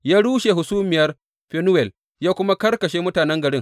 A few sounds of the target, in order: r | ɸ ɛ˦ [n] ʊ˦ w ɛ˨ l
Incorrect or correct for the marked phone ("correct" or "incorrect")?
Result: correct